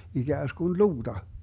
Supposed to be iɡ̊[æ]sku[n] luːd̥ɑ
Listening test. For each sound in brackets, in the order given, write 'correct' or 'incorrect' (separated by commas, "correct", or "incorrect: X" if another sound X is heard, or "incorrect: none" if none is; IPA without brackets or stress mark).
incorrect: æː, correct